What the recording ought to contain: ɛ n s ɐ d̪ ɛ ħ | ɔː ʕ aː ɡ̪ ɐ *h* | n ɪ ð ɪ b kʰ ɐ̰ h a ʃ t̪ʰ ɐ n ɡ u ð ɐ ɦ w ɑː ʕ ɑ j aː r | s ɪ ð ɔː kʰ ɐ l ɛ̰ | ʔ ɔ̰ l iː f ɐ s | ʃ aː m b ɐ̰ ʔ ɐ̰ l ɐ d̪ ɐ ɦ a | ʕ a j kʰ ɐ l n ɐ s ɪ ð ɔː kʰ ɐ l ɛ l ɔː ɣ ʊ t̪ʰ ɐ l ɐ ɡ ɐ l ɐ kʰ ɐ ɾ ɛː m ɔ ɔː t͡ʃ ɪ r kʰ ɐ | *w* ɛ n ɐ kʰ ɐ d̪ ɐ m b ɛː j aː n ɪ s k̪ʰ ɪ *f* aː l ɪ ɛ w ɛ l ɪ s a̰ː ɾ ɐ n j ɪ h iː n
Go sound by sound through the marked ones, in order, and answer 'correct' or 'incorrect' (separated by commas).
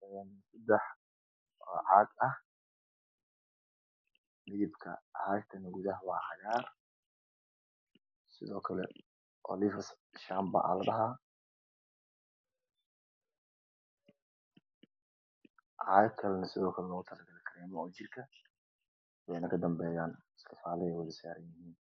correct, correct, correct